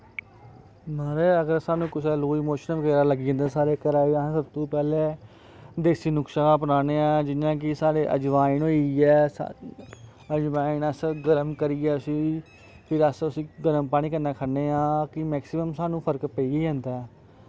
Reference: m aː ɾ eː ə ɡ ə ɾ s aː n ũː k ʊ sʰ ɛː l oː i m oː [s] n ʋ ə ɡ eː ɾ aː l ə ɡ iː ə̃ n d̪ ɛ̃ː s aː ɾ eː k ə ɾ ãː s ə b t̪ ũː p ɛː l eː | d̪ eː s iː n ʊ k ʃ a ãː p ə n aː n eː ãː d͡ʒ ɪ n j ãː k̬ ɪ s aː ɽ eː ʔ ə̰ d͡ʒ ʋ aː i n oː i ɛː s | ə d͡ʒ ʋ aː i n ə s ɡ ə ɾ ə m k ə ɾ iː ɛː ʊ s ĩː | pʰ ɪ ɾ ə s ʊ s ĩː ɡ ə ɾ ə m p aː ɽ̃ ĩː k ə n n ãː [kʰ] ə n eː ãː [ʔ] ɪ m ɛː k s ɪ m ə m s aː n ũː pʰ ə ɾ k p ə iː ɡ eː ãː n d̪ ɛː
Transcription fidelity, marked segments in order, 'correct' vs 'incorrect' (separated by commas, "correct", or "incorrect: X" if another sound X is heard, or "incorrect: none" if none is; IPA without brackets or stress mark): incorrect: ʃ, correct, incorrect: k